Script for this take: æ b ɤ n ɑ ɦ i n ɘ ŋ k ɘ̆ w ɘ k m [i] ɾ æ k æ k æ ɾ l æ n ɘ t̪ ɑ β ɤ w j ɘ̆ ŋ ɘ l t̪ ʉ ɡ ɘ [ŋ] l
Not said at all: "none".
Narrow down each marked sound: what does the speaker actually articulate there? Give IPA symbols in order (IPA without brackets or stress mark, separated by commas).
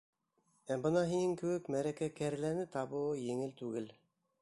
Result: æ, none